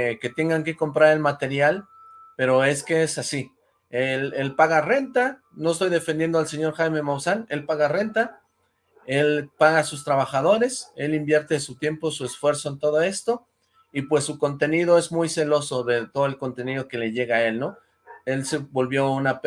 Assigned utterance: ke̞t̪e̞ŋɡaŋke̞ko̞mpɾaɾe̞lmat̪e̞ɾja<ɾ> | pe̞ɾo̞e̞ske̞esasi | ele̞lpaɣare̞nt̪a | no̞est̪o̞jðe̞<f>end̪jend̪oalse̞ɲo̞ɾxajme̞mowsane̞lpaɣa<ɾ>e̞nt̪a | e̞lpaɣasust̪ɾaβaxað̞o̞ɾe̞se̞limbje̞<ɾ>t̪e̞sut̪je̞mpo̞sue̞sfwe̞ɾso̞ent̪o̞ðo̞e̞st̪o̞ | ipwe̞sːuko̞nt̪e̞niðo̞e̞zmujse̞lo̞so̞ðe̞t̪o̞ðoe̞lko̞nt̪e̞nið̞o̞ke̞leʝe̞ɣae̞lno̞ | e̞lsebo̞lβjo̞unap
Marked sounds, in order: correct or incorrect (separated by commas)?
incorrect, correct, incorrect, correct